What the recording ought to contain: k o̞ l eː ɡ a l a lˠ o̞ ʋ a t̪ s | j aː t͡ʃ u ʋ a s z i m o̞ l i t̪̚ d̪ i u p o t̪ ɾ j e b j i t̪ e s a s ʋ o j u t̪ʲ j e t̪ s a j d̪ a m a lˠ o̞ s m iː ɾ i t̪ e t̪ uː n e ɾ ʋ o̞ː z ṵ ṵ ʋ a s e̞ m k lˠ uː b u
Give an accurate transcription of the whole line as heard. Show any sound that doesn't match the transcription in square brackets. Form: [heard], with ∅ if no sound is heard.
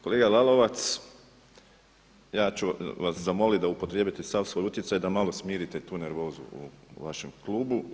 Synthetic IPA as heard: k o̞ l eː ɡ a l a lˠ o̞ ʋ a t̪ s | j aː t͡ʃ u ʋ a s z [a] m o̞ l i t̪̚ d̪ [a] u p o t̪ ɾ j e b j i t̪ e s a s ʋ o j u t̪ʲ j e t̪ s a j d̪ a m a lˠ o̞ s m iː ɾ i t̪ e t̪ uː n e ɾ ʋ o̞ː z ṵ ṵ ʋ a [ʃ] e̞ m k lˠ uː b u